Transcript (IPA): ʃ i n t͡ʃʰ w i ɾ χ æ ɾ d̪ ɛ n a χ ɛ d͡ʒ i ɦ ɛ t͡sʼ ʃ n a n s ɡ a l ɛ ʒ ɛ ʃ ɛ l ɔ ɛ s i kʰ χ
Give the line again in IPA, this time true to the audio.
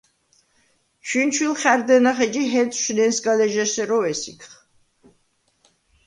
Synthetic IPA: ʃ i n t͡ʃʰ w i l χ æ ɾ d̪ ɛ n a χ ɛ d͡ʒ i ɦ ɛ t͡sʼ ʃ n ɛ n s ɡ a l ɛ ʒ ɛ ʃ ɛ ɾ ɔ ɛ s i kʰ χ